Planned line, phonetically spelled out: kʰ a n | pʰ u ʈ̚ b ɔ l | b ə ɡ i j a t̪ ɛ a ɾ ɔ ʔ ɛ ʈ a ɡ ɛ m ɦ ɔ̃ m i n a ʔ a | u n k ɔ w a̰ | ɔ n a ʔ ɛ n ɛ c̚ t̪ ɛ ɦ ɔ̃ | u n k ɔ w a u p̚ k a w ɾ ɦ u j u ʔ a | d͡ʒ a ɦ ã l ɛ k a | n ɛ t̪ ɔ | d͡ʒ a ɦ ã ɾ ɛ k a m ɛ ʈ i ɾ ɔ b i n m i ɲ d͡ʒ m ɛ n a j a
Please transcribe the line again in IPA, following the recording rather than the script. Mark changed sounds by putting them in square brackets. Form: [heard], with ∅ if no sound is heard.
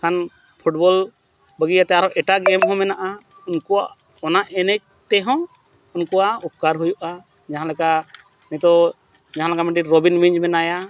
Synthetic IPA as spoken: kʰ a n | pʰ u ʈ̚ b ɔ l | b ə ɡ i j a t̪ ɛ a ɾ ɔ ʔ ɛ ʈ a ɡ ɛ m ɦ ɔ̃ m [ɛ] n a ʔ a | u n k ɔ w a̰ | ɔ n a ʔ ɛ n ɛ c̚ t̪ ɛ ɦ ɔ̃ | u n k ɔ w a u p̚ k a [∅] ɾ ɦ u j u ʔ a | d͡ʒ a ɦ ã l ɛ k a | n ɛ t̪ ɔ | d͡ʒ a ɦ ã [l] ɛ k a m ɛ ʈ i ɾ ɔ b i n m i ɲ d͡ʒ m ɛ n a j a